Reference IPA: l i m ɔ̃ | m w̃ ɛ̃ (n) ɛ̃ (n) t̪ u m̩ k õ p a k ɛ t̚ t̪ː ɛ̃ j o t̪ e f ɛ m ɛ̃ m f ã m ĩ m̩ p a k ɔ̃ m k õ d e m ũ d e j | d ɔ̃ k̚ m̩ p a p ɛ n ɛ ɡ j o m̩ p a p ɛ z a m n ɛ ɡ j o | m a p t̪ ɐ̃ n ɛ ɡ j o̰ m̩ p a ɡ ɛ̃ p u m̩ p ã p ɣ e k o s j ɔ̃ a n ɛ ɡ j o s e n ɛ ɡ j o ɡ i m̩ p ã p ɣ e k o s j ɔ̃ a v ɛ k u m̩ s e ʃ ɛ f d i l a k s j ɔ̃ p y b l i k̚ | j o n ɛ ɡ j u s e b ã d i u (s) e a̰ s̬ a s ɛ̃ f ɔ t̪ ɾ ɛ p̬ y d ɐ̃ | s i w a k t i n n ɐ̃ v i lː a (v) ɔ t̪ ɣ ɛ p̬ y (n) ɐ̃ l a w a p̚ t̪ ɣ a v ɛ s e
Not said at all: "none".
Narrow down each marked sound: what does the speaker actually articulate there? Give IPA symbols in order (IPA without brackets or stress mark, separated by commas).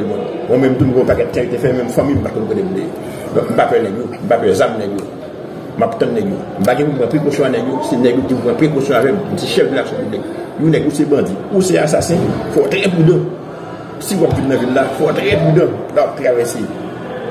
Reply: m, m, s, f, d